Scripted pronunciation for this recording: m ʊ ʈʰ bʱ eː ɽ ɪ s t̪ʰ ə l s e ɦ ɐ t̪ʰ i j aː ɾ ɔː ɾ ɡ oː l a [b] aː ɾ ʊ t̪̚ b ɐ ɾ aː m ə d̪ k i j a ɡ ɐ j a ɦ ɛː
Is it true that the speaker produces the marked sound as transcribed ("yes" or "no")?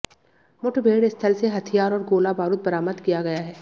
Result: yes